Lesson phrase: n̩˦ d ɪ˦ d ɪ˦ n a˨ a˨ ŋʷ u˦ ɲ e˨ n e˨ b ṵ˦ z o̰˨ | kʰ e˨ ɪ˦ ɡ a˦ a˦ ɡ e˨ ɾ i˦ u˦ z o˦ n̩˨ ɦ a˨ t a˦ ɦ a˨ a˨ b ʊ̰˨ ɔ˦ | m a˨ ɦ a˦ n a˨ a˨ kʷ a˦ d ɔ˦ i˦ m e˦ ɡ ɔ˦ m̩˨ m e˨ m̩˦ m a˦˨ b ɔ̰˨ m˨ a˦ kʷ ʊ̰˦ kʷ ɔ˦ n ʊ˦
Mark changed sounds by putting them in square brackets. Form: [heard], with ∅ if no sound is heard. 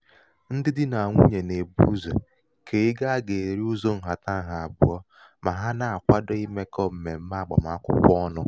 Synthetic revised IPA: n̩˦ d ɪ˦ d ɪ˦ n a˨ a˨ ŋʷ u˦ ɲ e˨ n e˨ b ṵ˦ z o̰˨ | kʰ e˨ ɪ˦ ɡ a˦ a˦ ɡ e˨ ɾ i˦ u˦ z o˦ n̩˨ ɦ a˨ t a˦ ɦ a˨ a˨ b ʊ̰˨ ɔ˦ | m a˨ ɦ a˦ n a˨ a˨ kʷ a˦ d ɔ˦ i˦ m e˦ [k] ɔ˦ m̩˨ m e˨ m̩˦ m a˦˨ [ɡ͡b] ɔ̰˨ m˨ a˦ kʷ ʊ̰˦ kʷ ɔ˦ n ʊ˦